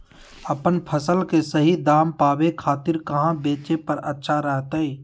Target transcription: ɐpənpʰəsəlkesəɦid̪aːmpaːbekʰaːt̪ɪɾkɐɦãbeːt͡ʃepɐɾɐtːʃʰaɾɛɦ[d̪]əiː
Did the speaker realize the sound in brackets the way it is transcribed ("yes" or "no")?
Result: no